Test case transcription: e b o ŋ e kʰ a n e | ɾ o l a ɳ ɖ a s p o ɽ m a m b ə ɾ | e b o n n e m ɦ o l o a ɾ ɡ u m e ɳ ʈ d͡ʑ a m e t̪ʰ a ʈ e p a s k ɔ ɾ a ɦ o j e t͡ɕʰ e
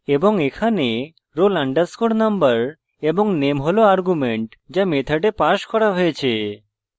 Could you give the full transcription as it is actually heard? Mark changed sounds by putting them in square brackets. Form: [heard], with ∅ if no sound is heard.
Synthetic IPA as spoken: e b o ŋ e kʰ a n e | ɾ o l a ɳ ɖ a s [k] o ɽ [n] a m b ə ɾ | e b o [ŋ] n e m ɦ o l o a ɾ ɡ u m e ɳ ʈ d͡ʑ a m e t̪ʰ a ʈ e p a [ʃ] k ɔ ɾ a ɦ o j e t͡ɕʰ e